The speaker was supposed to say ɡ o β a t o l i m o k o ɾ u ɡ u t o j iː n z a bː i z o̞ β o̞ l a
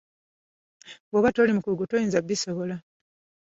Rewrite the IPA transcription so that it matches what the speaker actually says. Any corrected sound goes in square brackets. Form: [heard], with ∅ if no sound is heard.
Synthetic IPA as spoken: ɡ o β a t o l i m [u] k [u] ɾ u ɡ u t o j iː n z a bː i [s] o̞ β o̞ l a